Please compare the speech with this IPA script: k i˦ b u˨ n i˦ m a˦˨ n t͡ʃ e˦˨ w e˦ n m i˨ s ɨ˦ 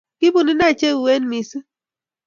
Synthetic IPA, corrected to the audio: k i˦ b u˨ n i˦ n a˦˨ t͡ʃ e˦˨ w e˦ n m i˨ s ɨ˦